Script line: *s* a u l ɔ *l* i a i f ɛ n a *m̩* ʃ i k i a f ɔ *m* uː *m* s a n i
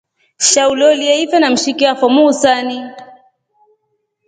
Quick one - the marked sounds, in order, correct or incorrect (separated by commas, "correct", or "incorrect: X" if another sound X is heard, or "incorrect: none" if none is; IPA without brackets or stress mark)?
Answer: incorrect: ʃ, correct, correct, correct, incorrect: none